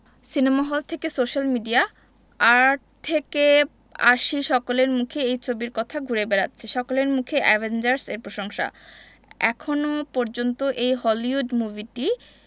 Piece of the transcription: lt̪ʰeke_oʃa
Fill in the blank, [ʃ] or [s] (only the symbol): s